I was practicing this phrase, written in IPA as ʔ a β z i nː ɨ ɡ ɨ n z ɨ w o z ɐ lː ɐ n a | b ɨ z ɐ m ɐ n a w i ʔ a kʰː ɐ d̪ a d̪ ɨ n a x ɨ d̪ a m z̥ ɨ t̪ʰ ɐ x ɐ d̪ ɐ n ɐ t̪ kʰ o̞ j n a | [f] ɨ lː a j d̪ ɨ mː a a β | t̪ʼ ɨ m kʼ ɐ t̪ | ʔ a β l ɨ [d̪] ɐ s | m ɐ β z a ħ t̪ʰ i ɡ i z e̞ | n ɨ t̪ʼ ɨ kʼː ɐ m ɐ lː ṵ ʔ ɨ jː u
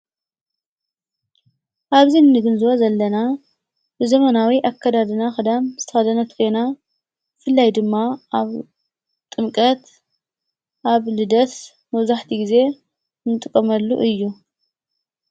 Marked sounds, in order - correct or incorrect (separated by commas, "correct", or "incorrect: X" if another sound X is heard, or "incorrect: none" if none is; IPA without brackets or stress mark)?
correct, correct